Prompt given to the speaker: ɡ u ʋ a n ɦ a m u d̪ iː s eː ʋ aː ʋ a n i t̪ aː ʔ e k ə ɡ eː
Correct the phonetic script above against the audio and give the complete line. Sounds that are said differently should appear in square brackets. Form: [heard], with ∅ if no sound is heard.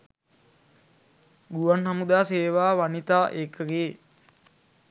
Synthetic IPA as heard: ɡ u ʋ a n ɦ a m u d̪ [aː] s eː ʋ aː ʋ a n i t̪ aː ʔ e k ə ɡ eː